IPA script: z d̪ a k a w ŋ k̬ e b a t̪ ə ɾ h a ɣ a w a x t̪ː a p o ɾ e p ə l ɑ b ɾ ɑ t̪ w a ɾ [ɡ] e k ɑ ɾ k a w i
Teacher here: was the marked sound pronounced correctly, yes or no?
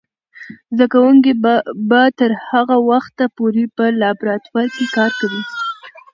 no